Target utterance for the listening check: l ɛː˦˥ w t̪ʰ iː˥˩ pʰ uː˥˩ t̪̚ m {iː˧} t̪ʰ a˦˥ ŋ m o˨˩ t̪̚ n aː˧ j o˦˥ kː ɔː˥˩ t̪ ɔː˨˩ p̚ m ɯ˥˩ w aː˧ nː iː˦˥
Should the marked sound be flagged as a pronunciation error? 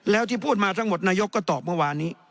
yes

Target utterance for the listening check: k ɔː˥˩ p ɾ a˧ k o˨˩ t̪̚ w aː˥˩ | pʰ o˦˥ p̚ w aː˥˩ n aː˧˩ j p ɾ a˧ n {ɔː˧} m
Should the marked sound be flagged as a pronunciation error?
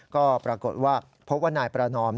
yes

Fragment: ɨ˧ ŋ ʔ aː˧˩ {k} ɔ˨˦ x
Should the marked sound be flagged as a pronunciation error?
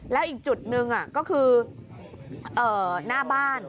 no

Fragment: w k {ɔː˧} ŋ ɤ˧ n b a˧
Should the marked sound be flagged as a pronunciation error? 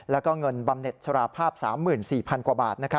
yes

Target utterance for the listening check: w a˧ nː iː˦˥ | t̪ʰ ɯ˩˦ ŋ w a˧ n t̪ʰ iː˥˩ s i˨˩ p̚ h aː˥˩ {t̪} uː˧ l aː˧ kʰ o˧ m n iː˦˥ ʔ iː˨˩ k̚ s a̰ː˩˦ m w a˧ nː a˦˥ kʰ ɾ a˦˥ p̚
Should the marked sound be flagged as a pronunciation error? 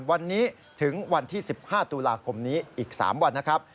no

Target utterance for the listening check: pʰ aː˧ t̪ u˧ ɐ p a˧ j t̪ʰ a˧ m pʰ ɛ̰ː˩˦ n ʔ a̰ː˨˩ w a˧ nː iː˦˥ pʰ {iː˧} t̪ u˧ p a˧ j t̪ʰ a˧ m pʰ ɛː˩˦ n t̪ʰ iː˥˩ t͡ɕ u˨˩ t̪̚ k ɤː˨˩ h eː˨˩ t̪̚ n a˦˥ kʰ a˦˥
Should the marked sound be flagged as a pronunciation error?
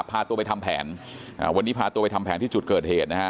yes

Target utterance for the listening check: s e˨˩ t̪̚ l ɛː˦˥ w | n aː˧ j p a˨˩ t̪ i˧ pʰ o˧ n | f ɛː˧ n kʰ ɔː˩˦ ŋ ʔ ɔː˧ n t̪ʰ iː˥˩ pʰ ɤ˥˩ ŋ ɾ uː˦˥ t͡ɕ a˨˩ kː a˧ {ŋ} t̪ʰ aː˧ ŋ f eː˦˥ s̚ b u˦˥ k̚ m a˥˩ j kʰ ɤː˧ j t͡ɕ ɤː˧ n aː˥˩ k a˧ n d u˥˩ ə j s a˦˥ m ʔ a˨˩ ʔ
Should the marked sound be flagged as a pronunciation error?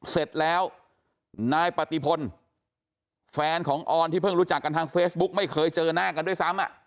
yes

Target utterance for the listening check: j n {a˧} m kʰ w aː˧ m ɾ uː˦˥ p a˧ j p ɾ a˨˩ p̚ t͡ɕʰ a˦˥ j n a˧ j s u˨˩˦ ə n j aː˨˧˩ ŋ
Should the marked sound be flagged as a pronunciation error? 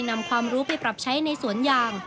no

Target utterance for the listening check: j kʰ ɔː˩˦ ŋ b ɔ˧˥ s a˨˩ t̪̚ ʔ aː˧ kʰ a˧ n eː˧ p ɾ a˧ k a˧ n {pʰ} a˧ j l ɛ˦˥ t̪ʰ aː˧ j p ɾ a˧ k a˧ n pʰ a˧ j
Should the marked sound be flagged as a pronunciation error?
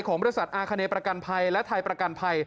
no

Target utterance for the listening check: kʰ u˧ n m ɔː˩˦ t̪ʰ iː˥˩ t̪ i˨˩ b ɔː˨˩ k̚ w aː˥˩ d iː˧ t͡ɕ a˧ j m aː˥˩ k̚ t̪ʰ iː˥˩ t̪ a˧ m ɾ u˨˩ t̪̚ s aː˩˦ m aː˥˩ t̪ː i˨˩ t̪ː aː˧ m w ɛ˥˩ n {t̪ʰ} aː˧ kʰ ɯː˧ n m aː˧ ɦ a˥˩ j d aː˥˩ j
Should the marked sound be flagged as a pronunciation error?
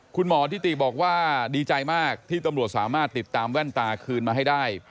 yes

